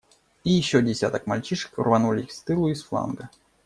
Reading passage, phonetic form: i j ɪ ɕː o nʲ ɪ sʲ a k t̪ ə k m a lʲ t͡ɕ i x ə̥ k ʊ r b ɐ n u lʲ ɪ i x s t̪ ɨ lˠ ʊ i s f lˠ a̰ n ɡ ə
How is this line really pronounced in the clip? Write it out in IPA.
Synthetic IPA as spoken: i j ɪ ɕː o dʲ ɪ sʲ a t̪ ə k m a lʲ t͡ɕ i ʂ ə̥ k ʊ r v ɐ n u lʲ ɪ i x s t̪ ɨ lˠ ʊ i s f lˠ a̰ n ɡ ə